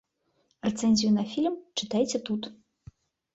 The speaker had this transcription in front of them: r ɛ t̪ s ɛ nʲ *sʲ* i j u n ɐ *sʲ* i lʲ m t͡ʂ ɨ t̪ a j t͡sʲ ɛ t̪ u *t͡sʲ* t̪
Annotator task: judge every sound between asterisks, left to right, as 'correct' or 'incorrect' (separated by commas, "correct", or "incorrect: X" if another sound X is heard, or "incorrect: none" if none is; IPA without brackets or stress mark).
incorrect: zʲ, incorrect: fʲ, incorrect: none